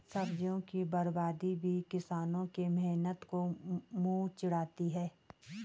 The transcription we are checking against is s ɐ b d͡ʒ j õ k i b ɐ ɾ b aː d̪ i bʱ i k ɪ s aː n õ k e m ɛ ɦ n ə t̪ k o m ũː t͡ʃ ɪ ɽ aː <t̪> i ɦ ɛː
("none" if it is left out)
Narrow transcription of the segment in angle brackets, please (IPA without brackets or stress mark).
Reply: t̪